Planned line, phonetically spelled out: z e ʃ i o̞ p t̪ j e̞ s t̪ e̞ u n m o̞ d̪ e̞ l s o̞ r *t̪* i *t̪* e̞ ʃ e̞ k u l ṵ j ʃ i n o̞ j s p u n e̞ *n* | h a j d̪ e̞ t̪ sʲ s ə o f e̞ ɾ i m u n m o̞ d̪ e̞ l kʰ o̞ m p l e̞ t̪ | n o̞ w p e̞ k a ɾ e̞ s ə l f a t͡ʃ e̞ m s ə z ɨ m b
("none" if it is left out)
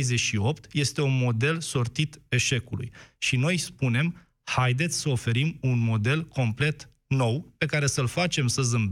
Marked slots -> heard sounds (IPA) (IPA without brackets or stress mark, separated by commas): t̪, t̪, m